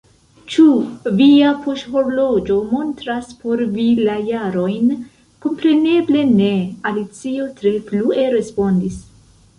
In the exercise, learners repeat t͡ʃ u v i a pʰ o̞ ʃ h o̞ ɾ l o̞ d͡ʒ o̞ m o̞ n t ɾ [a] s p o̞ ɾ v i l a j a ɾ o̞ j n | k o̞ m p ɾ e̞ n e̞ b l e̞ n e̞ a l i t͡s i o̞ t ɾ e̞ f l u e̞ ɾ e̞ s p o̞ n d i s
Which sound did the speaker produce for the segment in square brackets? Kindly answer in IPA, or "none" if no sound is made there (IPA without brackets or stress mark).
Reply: a